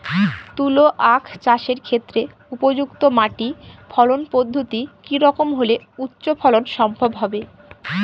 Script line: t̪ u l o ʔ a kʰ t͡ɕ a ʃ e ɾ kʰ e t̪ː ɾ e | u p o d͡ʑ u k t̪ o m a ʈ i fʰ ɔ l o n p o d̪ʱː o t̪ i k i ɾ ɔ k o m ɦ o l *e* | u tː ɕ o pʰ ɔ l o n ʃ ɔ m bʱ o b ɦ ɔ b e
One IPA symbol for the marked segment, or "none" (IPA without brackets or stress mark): e